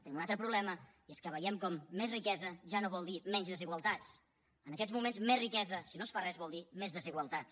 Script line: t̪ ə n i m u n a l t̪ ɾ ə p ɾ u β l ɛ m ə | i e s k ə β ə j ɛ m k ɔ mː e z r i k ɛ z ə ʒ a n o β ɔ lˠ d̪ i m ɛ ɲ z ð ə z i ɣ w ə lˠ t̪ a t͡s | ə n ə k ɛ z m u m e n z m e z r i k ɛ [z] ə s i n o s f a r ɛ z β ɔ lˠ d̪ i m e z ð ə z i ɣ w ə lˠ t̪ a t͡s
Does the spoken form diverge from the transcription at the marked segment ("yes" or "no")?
no